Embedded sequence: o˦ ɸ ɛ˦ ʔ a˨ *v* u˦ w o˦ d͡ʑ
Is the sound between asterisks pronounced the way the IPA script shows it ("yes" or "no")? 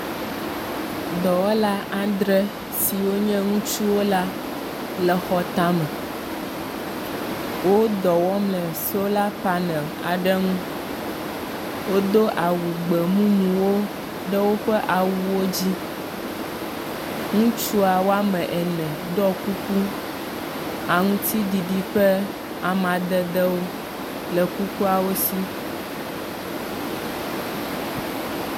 no